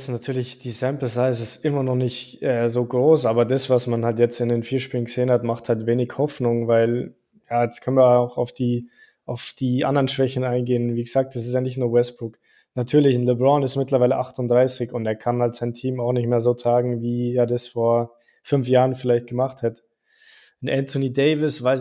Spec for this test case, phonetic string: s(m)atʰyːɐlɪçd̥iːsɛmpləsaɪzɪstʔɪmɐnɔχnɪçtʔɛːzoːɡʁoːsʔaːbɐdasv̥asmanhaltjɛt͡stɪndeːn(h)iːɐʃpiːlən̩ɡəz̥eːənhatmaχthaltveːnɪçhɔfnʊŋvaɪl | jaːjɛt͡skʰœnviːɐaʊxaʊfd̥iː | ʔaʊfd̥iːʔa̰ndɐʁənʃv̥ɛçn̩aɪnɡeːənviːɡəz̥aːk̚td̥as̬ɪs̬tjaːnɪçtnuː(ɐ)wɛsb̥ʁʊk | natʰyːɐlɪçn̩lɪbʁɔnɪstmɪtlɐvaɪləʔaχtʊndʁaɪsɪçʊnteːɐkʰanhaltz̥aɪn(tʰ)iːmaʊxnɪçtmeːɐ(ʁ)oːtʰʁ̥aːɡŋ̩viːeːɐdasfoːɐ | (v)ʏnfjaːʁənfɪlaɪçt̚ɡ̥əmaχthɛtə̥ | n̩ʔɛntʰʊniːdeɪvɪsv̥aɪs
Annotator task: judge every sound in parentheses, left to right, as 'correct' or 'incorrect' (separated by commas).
incorrect, incorrect, correct, correct, incorrect, incorrect